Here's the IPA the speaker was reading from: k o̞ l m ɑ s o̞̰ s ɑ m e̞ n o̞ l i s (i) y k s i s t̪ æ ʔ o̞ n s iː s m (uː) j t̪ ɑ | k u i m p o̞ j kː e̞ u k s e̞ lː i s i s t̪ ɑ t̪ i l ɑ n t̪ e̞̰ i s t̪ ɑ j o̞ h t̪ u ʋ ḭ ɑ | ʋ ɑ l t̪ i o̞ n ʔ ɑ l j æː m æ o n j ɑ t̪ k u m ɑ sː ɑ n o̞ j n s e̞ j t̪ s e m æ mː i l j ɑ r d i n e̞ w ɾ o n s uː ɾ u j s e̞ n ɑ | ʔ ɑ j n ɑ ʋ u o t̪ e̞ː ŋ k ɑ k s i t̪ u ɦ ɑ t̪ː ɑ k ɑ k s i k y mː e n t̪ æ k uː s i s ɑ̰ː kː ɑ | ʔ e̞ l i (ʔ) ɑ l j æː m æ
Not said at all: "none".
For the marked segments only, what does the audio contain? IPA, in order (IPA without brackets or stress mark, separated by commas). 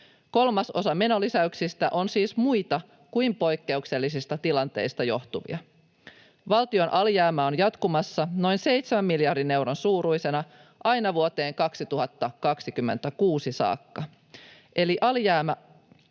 æ, u, ʔ